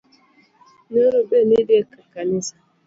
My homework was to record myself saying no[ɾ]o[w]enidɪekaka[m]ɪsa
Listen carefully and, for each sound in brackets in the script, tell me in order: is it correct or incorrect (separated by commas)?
correct, incorrect, incorrect